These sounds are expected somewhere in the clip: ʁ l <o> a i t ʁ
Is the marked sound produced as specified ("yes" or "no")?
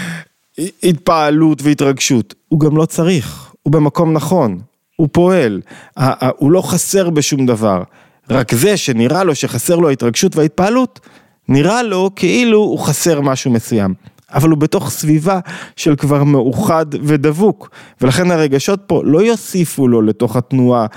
yes